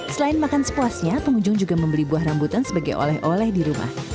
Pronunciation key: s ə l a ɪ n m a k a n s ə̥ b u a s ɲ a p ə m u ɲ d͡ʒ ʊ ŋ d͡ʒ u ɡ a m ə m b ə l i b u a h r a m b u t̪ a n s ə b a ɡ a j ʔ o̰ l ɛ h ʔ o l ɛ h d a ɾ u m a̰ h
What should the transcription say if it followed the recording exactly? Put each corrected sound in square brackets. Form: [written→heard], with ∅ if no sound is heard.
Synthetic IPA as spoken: s ə l a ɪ n m a k a n s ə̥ [b→p] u a s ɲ a p ə [m→ŋ] u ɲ d͡ʒ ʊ ŋ d͡ʒ u ɡ a m ə m b ə l i b u a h r a m b u t̪ a n s ə b a ɡ a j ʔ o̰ l ɛ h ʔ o l ɛ h d [a→i] ɾ u m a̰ h